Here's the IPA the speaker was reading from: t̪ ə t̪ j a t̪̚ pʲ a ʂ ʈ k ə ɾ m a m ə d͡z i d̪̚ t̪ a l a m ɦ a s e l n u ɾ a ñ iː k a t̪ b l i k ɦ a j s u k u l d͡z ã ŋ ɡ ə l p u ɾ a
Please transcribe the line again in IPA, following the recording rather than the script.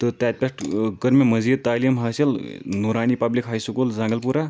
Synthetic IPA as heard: t̪ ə t̪ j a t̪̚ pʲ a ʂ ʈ k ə ɾ m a m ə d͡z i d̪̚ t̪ a l i m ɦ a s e l n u ɾ a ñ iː p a b l i k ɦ a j s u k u l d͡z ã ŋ ɡ ə l p u ɾ a